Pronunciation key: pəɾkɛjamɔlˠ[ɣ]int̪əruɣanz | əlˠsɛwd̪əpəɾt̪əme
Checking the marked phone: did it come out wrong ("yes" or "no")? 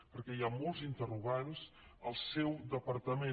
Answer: yes